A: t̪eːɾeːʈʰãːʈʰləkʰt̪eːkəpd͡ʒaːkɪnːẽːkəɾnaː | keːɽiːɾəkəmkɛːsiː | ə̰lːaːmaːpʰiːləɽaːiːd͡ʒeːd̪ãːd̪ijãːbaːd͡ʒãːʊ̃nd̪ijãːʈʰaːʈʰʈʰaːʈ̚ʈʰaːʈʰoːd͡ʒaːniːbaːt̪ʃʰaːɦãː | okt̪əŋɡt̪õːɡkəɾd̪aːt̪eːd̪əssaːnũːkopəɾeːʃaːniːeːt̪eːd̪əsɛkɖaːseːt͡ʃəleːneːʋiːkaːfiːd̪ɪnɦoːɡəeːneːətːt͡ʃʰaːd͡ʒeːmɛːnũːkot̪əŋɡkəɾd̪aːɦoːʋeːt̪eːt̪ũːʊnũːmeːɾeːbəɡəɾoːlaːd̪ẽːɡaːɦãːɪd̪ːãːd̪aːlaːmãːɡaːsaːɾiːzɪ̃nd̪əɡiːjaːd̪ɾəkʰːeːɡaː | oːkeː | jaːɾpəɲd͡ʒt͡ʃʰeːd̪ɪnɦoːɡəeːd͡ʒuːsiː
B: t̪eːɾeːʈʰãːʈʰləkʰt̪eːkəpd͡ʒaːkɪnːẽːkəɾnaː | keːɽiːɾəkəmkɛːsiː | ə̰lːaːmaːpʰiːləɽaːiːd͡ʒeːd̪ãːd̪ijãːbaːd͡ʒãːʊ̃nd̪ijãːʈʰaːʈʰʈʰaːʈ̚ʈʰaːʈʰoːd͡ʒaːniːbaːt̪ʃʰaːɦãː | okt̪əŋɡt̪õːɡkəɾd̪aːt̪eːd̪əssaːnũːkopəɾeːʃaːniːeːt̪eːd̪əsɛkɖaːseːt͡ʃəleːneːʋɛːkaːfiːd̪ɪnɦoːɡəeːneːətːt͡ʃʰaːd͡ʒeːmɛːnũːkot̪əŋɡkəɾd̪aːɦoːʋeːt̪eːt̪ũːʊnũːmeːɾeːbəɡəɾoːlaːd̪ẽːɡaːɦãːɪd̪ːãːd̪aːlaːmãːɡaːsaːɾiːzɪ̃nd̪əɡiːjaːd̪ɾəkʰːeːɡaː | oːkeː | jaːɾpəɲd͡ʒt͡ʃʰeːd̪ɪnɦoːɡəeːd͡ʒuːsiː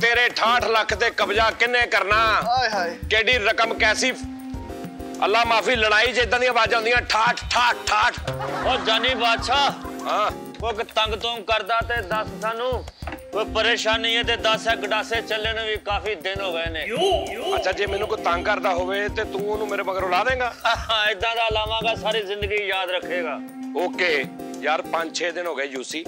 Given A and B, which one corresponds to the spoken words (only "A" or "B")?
A